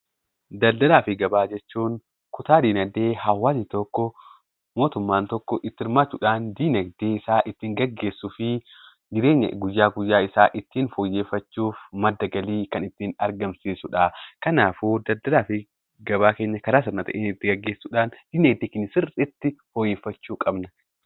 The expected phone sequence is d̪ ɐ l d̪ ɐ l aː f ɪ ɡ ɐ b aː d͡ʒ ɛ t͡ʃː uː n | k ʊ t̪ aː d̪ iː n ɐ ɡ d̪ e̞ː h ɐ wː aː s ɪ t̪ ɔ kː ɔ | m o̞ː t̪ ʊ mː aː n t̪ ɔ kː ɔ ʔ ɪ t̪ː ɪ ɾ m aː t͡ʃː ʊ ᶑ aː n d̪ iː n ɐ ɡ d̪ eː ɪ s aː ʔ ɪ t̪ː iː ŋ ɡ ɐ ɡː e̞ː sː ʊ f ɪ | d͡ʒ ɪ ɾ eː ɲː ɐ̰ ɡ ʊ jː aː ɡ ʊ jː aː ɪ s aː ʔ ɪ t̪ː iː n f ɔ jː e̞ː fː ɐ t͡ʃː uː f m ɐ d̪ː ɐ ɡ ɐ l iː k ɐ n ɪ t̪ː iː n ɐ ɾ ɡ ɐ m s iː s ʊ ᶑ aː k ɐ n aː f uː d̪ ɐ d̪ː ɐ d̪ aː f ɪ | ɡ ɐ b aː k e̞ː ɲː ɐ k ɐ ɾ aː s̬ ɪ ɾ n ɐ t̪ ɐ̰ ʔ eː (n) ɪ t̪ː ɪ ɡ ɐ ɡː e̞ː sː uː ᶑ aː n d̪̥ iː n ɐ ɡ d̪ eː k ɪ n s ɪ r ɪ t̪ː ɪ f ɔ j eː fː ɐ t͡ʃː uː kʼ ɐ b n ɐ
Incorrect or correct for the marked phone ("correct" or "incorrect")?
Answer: correct